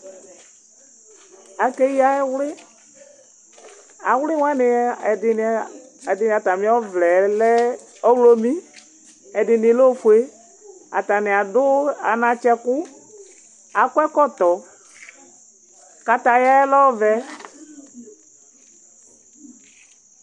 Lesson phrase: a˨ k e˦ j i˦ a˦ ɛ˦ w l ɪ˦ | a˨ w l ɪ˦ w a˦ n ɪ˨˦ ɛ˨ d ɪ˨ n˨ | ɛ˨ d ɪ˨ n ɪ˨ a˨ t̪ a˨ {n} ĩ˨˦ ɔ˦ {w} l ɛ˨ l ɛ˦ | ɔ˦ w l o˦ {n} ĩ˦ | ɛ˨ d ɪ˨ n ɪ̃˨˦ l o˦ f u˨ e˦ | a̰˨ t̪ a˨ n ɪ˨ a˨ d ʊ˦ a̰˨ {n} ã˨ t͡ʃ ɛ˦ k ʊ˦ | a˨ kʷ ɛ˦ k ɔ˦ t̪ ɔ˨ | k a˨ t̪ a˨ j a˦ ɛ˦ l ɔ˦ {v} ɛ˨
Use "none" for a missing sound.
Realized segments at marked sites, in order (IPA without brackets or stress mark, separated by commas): m, v, m, n, v